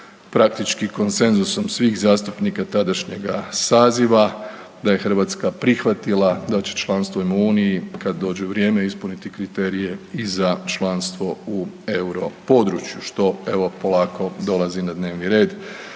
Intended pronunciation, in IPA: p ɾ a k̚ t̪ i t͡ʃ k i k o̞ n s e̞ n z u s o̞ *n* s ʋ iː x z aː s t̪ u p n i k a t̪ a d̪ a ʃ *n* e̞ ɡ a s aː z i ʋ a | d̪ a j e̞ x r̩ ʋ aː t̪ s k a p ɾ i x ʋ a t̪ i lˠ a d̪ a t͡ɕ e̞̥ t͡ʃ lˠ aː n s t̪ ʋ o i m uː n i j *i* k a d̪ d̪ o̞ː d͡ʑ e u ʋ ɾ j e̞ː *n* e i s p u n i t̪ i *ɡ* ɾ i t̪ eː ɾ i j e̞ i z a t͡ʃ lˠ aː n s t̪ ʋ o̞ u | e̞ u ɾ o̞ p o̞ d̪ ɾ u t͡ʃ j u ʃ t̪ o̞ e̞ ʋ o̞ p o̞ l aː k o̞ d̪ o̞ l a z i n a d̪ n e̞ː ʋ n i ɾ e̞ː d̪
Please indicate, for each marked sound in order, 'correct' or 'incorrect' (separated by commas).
incorrect, incorrect, correct, incorrect, incorrect